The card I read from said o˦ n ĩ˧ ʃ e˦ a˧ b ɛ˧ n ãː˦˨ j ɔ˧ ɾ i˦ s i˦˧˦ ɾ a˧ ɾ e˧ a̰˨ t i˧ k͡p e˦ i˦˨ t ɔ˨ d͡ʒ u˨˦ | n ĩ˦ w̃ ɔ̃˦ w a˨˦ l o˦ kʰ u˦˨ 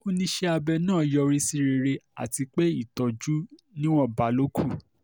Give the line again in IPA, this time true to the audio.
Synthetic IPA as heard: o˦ n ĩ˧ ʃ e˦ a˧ b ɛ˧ n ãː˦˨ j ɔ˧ ɾ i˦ s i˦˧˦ ɾ e˧ ɾ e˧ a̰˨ t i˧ k͡p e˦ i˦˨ t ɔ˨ d͡ʒ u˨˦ | n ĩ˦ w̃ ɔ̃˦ b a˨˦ l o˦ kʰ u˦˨

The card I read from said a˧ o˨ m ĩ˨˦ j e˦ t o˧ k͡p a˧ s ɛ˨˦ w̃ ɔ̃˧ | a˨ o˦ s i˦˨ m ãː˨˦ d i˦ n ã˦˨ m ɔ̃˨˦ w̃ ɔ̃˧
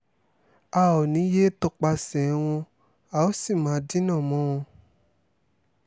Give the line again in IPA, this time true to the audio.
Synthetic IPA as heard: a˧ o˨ n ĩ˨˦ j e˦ t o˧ k͡p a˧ s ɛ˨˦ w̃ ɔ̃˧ | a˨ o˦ s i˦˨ m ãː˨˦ d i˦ n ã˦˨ m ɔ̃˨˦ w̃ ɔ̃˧

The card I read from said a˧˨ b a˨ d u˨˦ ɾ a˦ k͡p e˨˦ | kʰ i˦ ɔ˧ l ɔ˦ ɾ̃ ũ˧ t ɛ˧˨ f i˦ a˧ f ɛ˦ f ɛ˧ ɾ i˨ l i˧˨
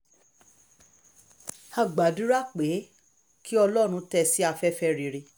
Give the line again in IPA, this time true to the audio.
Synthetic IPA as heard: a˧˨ ɡ͡b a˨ d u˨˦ ɾ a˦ k͡p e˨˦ | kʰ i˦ ɔ˧ l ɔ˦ ɾ̃ ũ˧ t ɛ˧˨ s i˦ a˧ f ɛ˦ f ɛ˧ ɾ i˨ ɾ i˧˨

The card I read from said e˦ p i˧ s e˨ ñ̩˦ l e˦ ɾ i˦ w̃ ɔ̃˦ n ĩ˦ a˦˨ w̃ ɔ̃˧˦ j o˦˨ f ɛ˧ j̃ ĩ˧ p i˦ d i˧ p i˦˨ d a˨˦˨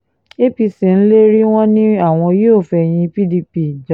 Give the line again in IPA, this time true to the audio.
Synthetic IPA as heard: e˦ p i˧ s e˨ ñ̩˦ l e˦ ɾ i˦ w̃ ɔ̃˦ n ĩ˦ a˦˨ w̃ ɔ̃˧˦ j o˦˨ f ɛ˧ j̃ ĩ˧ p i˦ d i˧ p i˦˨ d͡ʒ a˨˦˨

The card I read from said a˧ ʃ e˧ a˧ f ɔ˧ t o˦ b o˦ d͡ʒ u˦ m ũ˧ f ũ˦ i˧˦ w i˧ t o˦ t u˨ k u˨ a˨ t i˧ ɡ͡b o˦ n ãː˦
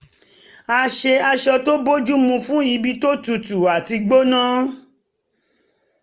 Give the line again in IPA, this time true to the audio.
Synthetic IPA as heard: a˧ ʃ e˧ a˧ ʃ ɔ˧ t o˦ b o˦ d͡ʒ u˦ m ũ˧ f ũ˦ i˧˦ b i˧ t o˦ t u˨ t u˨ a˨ t i˧ ɡ͡b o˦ n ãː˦

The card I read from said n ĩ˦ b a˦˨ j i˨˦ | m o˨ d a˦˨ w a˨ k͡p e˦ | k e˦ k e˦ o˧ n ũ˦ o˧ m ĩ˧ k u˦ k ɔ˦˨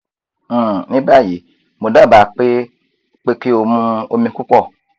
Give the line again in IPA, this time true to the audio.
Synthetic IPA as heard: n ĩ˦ b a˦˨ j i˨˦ | m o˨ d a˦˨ b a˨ k͡p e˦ | k͡p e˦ k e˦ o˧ m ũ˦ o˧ m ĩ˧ k u˦ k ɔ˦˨

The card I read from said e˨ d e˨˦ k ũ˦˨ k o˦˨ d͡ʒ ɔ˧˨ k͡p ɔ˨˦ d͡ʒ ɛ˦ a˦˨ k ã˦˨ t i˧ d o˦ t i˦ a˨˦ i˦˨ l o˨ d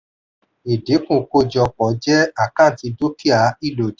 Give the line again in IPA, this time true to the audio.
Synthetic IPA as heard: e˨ d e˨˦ k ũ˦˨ k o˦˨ d͡ʒ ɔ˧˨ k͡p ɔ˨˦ d͡ʒ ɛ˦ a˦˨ k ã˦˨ t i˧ d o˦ k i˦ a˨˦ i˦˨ l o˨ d

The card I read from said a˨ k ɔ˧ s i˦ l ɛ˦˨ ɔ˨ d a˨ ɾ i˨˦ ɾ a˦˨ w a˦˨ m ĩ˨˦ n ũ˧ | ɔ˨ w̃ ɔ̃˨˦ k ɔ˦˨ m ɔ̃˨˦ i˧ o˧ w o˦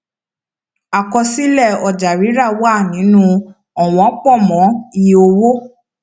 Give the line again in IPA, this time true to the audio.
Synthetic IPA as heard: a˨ k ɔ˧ s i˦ l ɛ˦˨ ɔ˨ d͡ʒ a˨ ɾ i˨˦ ɾ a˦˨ w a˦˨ n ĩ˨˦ n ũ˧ | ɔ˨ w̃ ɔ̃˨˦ k͡p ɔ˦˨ m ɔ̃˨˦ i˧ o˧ w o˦

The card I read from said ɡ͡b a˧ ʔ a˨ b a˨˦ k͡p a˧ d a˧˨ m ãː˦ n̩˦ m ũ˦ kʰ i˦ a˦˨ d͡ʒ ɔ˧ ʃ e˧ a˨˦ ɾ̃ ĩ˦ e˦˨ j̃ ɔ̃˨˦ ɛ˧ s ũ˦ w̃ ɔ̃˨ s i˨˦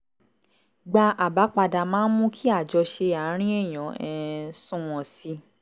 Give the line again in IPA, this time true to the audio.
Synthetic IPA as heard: ɡ͡b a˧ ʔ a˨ b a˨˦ k͡p a˧ d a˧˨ m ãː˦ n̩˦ m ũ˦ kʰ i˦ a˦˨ d͡ʒ ɔ˧ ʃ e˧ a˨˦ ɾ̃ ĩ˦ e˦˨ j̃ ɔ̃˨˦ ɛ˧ s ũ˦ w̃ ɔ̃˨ s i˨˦

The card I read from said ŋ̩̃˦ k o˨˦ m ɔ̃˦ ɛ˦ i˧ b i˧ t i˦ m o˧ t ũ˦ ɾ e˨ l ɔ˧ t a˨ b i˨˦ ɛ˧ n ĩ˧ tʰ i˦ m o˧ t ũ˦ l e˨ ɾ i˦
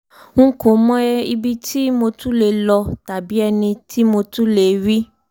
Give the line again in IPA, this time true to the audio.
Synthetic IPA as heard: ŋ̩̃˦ k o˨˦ m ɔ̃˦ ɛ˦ i˧ b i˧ t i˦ m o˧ t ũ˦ l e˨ l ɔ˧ t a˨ b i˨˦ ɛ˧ n ĩ˧ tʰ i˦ m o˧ t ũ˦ l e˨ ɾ i˦

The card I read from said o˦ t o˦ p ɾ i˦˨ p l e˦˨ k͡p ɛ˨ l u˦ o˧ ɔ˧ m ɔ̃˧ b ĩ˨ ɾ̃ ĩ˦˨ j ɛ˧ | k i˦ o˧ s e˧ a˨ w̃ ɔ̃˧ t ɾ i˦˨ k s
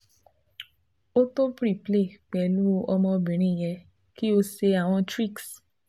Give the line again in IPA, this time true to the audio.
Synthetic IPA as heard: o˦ t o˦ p ɾ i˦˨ p l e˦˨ k͡p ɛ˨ l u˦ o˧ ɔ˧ m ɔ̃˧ b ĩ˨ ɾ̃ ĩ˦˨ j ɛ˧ | k i˦ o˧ s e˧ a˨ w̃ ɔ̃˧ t ɾ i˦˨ k s

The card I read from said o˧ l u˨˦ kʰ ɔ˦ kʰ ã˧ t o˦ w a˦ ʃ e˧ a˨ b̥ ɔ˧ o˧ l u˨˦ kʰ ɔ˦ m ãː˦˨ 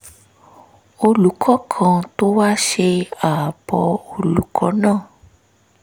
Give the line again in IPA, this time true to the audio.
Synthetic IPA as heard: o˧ l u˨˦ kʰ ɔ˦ kʰ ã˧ t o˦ w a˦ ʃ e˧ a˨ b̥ ɔ˧ o˧ l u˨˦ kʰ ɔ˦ n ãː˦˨

